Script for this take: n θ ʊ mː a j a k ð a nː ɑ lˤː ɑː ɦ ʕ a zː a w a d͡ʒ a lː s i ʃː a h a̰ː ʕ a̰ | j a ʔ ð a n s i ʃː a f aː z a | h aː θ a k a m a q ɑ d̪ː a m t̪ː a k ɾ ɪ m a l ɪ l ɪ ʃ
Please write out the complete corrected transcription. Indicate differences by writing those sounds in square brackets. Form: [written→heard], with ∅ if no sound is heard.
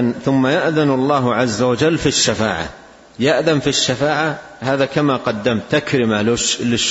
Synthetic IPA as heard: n θ ʊ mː a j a [k→ʔ] ð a [nː→n] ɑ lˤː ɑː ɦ ʕ a zː a w a d͡ʒ a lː [s→f] i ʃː a [h→f] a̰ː ʕ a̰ | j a ʔ ð a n [s→f] i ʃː a f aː [z→ʕ] a | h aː [θ→ð] a k a m a q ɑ d̪ː a m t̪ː a k ɾ ɪ m a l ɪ l ɪ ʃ